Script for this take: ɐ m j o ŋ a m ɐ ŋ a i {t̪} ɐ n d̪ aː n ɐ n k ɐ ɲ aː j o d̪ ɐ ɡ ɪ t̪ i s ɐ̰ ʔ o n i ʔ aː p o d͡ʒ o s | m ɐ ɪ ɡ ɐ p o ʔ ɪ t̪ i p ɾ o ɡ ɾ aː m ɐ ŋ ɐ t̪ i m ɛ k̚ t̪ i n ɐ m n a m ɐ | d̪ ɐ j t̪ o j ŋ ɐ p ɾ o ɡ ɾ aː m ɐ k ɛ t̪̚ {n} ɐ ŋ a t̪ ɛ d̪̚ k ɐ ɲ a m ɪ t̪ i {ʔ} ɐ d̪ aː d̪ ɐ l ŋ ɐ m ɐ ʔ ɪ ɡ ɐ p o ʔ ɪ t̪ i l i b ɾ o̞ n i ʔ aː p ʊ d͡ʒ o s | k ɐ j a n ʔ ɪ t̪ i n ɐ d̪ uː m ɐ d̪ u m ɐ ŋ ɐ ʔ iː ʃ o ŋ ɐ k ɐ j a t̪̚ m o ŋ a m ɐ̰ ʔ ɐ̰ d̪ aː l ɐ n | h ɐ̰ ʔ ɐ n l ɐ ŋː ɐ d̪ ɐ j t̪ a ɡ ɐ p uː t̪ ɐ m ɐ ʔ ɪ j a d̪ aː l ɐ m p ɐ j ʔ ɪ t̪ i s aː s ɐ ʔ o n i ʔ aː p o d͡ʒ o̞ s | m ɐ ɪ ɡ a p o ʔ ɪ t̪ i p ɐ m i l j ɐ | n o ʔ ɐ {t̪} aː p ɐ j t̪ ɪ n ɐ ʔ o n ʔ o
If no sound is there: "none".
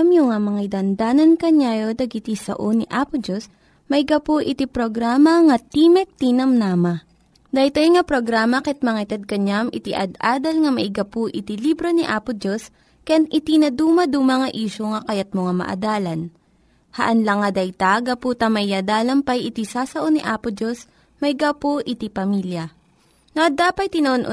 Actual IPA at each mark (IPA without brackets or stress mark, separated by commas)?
d̪, m, ʔ, d̪